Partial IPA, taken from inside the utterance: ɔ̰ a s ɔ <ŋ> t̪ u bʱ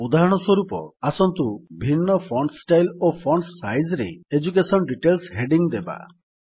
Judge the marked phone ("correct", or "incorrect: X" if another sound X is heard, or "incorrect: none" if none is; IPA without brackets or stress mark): incorrect: n